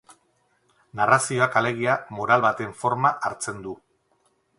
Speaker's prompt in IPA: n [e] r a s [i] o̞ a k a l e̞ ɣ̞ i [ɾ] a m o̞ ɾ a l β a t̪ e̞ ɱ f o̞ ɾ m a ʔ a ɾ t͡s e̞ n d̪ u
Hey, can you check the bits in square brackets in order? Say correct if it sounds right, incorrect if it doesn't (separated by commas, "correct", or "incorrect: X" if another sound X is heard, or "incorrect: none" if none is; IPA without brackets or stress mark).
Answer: incorrect: a, correct, incorrect: none